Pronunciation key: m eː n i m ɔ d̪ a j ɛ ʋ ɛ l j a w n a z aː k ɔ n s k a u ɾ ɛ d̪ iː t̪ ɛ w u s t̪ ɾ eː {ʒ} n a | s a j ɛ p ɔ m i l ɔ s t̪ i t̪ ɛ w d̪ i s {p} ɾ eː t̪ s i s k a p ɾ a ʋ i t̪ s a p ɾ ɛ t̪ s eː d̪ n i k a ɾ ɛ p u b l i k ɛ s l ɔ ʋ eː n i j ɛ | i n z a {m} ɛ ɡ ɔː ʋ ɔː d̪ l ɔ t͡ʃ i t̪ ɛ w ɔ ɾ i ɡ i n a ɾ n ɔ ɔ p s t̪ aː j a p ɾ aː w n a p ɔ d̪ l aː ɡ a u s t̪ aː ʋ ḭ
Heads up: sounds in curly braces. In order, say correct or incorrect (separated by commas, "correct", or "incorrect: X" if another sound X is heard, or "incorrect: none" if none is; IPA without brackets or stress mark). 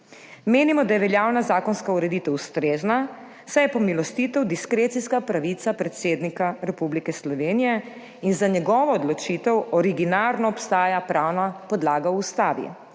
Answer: incorrect: z, incorrect: k, incorrect: ɲ